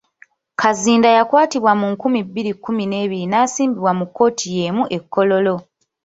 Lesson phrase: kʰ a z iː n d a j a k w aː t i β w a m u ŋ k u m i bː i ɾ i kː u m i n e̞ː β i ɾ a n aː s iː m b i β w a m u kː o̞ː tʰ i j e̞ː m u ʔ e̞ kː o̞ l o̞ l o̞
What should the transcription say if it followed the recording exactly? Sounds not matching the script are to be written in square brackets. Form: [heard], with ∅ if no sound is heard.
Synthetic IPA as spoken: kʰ a z iː n d a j a k w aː t i β w a m u ŋ k u m i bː i ɾ i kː u m i n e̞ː β i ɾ [i] n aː s iː m b i β w a m u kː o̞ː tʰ i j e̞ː m u ʔ e̞ kː o̞ l o̞ l o̞